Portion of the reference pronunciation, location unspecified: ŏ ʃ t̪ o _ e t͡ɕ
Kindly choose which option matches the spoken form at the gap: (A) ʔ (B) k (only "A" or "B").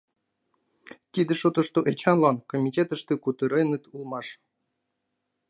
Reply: A